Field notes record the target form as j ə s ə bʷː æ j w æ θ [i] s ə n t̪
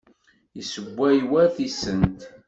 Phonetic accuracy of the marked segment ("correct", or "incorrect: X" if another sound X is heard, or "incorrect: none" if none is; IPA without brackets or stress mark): correct